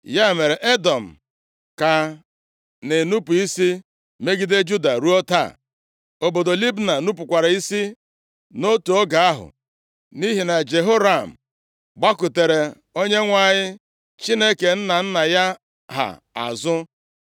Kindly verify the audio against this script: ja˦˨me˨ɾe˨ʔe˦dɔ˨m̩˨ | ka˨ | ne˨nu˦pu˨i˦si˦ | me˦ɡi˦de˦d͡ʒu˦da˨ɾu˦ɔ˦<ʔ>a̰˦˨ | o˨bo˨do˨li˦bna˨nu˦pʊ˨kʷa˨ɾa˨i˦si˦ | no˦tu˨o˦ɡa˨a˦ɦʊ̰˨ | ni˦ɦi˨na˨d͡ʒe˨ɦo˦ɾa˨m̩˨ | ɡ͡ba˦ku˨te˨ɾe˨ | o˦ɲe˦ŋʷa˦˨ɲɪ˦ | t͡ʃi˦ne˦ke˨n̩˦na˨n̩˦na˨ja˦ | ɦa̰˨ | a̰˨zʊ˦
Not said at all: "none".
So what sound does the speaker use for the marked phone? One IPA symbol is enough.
t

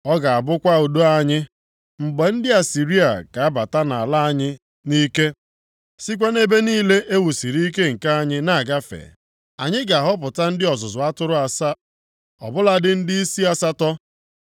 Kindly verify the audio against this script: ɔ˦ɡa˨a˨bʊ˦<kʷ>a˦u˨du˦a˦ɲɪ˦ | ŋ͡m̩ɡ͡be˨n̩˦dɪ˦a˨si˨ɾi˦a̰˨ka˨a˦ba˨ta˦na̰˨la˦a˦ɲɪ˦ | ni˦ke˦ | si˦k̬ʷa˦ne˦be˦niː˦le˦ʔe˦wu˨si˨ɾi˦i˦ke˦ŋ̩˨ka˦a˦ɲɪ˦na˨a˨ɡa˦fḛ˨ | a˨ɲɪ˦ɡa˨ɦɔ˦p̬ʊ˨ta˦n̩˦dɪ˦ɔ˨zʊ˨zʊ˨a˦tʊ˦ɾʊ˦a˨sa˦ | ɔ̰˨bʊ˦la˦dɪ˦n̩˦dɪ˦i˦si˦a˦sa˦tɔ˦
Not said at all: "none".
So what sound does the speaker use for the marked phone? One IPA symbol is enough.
kʷ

